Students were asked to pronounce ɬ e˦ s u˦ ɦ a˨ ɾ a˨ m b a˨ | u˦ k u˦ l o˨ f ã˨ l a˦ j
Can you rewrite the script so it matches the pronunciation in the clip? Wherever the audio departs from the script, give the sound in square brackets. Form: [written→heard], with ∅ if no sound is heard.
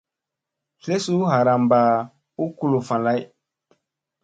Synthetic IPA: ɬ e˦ s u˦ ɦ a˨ ɾ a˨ m b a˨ | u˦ k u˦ l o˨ f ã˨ l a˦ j